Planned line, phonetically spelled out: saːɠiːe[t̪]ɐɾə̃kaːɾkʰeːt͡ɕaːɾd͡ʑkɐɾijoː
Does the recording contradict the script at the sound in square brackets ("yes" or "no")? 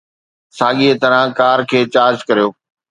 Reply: no